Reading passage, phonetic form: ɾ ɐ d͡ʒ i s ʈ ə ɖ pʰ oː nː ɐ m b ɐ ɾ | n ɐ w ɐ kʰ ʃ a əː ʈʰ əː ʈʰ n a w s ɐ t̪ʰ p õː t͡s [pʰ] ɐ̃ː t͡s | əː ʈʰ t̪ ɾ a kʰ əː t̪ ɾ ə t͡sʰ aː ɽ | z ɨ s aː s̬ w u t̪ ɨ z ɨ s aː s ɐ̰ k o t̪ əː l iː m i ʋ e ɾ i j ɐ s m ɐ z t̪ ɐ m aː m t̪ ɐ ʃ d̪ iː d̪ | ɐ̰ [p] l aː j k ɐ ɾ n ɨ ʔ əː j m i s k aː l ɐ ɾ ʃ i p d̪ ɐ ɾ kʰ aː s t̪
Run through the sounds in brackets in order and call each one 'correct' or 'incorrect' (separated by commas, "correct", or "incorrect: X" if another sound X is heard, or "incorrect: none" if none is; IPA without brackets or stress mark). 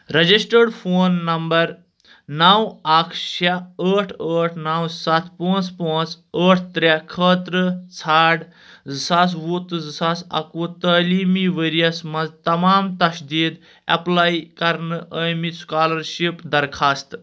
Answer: incorrect: p, correct